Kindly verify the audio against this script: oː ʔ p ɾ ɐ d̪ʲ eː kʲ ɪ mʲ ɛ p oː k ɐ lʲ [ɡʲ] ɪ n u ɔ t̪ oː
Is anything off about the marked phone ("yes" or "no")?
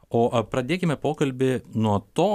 yes